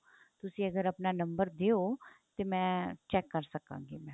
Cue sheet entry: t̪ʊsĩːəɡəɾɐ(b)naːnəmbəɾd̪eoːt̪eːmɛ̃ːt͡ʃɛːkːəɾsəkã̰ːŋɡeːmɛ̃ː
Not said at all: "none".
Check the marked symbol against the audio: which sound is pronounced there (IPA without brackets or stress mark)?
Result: p